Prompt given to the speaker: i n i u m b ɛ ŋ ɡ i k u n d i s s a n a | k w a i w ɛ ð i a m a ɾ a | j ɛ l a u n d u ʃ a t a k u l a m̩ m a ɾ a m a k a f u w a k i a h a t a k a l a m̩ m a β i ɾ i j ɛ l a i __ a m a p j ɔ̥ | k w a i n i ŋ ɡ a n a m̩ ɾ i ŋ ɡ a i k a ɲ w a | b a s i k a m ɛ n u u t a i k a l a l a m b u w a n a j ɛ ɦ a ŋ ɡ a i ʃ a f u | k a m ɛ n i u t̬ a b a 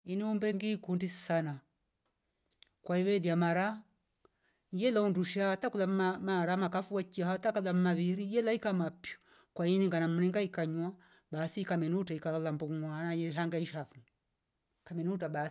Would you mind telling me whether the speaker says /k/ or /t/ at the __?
k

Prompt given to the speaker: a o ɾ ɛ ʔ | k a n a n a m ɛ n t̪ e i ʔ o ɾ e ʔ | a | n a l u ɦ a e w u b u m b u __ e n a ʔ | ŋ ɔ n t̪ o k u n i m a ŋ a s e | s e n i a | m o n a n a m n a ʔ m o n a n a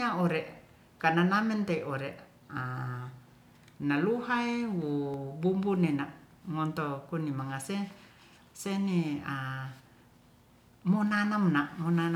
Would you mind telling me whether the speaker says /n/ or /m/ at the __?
n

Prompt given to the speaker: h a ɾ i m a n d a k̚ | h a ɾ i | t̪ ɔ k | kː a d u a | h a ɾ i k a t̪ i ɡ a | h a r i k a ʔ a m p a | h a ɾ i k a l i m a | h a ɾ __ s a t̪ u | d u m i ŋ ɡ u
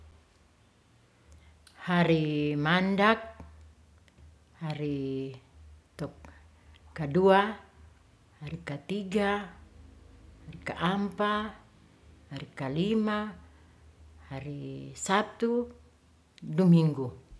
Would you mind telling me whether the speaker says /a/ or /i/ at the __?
i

